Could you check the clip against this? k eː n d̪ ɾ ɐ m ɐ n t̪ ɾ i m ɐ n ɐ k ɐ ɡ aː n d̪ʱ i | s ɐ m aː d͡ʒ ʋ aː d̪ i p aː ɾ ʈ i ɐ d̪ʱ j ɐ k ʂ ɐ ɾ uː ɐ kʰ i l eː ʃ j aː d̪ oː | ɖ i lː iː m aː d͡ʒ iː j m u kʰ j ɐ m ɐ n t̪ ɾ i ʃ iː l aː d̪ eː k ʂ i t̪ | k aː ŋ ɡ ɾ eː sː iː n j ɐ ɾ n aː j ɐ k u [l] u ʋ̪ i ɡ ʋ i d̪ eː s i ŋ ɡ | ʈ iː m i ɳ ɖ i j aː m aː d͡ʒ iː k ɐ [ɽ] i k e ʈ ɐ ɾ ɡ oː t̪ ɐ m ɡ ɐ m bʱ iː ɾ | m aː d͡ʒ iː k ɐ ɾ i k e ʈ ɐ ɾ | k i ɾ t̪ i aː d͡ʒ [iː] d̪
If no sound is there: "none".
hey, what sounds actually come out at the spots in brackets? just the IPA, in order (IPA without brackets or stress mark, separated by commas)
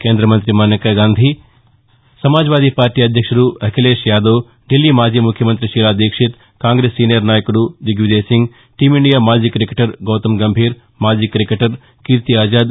ɽ, ɾ, aː